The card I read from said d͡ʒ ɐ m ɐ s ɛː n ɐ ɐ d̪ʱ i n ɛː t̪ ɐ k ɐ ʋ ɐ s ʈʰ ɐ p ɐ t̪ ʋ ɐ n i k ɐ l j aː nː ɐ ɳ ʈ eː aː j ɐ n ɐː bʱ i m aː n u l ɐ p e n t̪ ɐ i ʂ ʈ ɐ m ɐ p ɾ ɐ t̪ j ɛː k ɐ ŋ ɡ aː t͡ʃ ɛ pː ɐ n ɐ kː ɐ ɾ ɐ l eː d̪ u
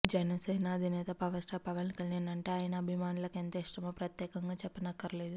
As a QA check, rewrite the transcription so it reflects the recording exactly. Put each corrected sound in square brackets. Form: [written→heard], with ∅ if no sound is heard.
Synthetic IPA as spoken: d͡ʒ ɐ [m→n] ɐ s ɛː n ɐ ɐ d̪ʱ i n ɛː t̪ ɐ [k→p] ɐ ʋ ɐ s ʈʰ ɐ p ɐ [t̪→∅] ʋ ɐ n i k ɐ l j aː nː ɐ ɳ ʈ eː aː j ɐ n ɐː bʱ i m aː n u l ɐ [p→k] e n t̪ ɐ i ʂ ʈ ɐ m ɐ p ɾ ɐ t̪ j ɛː k ɐ ŋ ɡ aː t͡ʃ ɛ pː ɐ n ɐ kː ɐ ɾ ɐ l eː d̪ u

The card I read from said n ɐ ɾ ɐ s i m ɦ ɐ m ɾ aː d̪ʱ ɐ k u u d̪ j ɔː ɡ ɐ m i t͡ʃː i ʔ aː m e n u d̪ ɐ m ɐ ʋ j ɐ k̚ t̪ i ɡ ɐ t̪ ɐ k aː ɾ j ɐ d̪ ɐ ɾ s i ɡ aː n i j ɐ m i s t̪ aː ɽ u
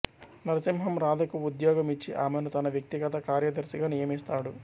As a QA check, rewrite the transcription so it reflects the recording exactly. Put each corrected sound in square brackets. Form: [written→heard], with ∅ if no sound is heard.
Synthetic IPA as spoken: n ɐ ɾ ɐ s i m ɦ ɐ m ɾ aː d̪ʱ ɐ k u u d̪ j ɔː ɡ ɐ m i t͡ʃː i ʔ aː m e n u [d̪→t̪] ɐ [m→n] ɐ ʋ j ɐ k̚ t̪ i ɡ ɐ t̪ ɐ k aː ɾ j ɐ d̪ ɐ ɾ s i ɡ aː n i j ɐ m i s t̪ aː ɽ u

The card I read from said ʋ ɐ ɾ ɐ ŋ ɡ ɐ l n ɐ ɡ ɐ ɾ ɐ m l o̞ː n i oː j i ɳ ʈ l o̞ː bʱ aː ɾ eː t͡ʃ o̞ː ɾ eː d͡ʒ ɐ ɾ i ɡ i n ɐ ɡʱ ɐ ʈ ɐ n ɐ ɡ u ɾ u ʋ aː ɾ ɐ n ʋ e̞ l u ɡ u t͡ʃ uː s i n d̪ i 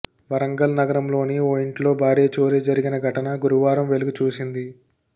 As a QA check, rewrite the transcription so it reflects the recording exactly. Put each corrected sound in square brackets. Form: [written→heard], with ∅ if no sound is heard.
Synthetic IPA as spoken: ʋ ɐ ɾ ɐ ŋ ɡ ɐ l n ɐ ɡ ɐ ɾ ɐ m l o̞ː n i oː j i ɳ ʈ l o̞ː bʱ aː ɾ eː t͡ʃ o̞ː ɾ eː d͡ʒ ɐ ɾ i ɡ i n ɐ ɡʱ ɐ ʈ ɐ n ɐ ɡ u ɾ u ʋ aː ɾ ɐ [n→m] ʋ e̞ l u ɡ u t͡ʃ uː s i n d̪ i

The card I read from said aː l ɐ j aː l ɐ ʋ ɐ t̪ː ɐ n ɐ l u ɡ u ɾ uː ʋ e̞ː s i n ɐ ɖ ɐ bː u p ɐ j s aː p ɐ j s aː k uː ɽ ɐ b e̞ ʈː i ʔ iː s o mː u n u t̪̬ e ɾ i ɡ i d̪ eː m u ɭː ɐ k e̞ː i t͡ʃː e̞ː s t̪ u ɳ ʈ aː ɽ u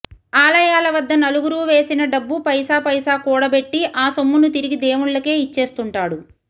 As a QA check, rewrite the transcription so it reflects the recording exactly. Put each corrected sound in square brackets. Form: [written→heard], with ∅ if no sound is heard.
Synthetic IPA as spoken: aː l ɐ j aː l ɐ ʋ ɐ [t̪ː→d̪ː] ɐ n ɐ l u ɡ u ɾ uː ʋ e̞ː s i n ɐ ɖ ɐ bː u p ɐ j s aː p ɐ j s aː k uː ɽ ɐ b e̞ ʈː i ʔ [iː→aː] s o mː u n u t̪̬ [e→i] ɾ i ɡ i d̪ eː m u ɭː ɐ k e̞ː i t͡ʃː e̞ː s t̪ u ɳ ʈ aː ɽ u

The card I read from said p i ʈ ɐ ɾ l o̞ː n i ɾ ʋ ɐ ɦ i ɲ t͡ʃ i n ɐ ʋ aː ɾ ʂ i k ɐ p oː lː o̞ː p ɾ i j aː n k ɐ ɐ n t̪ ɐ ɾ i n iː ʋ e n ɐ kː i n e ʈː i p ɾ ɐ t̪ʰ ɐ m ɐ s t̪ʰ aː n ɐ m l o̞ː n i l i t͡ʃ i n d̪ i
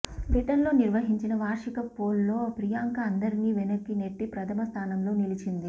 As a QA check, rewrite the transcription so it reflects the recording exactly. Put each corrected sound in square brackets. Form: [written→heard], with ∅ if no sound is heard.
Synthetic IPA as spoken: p i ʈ ɐ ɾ l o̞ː n i ɾ ʋ ɐ ɦ i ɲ t͡ʃ i n ɐ ʋ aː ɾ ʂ i k ɐ p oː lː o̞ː p ɾ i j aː [n→ŋ] k ɐ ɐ n [t̪→d̪] ɐ ɾ i n iː ʋ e n ɐ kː i n e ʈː i p ɾ ɐ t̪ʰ ɐ m ɐ s t̪ʰ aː n ɐ m l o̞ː n i l i t͡ʃ i n d̪ i

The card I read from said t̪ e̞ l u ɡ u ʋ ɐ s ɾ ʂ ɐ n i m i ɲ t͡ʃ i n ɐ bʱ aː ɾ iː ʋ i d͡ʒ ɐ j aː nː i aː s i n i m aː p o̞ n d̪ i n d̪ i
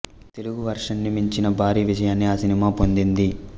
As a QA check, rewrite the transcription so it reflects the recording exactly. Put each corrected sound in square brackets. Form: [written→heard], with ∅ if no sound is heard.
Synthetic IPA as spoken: t̪ e̞ l u ɡ u ʋ ɐ [s→∅] ɾ ʂ ɐ [n→nː] i m i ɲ t͡ʃ i n ɐ bʱ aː ɾ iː ʋ i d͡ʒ ɐ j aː nː i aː s i n i m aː p o̞ n d̪ i n d̪ i

